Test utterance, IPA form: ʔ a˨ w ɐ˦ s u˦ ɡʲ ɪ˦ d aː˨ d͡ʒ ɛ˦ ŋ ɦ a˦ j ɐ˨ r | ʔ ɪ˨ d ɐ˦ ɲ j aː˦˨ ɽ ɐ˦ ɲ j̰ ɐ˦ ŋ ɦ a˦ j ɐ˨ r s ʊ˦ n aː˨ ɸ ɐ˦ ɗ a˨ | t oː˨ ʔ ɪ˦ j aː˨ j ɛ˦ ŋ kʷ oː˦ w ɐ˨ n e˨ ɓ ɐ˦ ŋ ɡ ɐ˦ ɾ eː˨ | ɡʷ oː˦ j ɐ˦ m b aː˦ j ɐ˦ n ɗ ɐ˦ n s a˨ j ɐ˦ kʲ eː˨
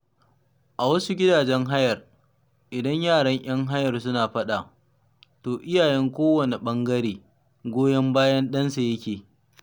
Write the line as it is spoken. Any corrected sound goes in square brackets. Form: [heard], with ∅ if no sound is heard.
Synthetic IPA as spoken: ʔ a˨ w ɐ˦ s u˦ ɡʲ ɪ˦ d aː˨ d͡ʒ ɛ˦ ŋ ɦ a˦ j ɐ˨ r | ʔ ɪ˨ d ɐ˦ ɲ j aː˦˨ ɽ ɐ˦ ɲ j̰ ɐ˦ ŋ ɦ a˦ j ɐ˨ r s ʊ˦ n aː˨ ɸ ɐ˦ ɗ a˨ | t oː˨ ʔ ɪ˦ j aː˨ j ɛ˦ ŋ kʷ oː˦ w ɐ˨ n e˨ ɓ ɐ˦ ŋ ɡ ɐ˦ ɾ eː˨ | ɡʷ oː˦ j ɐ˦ m b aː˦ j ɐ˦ n ɗ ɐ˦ n s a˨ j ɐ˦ kʲ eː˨